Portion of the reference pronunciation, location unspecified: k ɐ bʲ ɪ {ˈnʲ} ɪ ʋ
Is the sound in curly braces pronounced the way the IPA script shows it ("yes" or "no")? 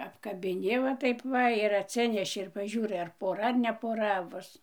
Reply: yes